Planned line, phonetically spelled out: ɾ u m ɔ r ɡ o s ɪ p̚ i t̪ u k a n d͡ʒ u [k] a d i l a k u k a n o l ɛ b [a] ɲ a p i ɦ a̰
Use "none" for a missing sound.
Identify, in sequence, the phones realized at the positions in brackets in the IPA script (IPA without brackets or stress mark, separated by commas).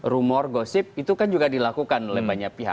ɡ, a